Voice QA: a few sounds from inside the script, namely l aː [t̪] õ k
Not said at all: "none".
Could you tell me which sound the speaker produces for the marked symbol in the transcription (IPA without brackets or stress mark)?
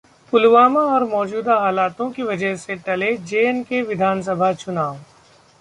t̪